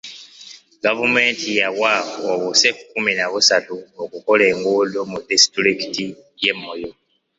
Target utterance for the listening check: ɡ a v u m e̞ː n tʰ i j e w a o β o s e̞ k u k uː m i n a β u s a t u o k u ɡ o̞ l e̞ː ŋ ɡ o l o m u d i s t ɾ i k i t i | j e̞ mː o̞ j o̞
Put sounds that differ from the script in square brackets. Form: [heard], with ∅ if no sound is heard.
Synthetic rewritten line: ɡ a v u m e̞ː n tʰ i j [a] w a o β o s e̞ k u k [u] m i n a β u s a t u o k u [k] o̞ l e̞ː ŋ ɡ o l o m u d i s t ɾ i k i t i | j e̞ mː o̞ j o̞